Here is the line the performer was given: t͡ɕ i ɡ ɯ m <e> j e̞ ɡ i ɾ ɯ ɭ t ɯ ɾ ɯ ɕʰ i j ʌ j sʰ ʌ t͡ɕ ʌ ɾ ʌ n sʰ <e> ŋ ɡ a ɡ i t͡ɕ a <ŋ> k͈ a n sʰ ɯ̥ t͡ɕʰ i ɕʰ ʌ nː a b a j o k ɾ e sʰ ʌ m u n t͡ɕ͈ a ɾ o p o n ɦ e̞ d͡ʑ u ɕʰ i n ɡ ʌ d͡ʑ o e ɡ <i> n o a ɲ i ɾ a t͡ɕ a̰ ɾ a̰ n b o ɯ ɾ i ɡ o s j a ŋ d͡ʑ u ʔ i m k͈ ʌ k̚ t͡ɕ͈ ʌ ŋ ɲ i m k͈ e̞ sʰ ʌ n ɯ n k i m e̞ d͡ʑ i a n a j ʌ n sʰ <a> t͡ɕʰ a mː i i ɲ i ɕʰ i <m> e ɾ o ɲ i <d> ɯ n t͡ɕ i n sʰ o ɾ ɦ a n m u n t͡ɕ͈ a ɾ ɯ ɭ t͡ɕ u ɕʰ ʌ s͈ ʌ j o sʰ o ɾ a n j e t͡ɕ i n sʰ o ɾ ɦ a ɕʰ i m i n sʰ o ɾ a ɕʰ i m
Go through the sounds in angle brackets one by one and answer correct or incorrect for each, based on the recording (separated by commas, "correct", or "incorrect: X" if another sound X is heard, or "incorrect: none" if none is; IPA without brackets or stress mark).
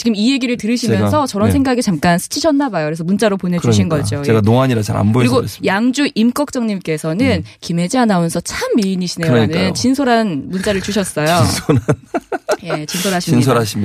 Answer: incorrect: i, correct, incorrect: m, incorrect: a, incorrect: ʌ, incorrect: n, incorrect: n